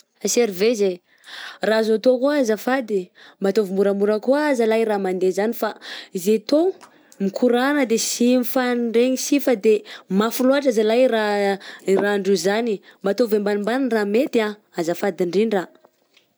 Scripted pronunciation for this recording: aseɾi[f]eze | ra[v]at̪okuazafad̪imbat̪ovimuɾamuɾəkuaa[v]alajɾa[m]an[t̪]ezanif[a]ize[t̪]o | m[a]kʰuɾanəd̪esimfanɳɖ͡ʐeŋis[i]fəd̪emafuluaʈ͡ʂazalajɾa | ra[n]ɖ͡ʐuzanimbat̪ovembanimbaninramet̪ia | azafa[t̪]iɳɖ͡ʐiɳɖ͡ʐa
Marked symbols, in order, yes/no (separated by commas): no, no, no, yes, no, yes, yes, no, yes, no, no